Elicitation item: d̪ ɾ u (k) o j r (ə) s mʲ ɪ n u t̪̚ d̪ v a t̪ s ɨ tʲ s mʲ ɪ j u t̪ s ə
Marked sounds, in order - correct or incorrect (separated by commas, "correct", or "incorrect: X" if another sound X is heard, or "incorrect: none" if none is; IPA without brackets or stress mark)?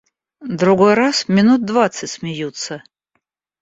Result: incorrect: ɡ, incorrect: a